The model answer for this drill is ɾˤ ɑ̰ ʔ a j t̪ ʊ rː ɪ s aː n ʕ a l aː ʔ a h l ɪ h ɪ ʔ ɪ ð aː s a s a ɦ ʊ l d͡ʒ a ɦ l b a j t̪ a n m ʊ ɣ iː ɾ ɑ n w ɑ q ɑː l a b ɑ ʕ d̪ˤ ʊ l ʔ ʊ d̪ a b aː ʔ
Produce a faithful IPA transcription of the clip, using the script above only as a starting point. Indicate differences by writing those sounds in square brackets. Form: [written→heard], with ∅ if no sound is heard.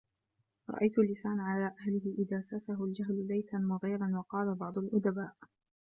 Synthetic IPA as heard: ɾˤ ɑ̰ ʔ a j t̪ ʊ [rː→lː] ɪ s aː n ʕ a l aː ʔ a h l ɪ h ɪ ʔ ɪ ð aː s a s a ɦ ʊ l d͡ʒ a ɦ l b a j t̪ a n m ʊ ɣ iː ɾ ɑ n w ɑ q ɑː l a b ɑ ʕ d̪ˤ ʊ l ʔ ʊ d̪ a b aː ʔ